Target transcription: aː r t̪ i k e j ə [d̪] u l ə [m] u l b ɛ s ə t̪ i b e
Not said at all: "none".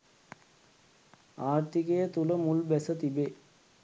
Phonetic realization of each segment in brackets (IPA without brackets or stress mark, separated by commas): t̪, m